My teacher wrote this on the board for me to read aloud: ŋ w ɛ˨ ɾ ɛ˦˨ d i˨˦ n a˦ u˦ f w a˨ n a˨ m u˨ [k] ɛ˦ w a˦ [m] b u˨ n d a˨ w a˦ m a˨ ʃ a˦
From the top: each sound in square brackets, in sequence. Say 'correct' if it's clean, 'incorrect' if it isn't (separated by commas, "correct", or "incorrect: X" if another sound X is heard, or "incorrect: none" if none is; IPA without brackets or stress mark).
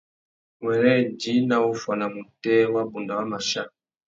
incorrect: t, incorrect: none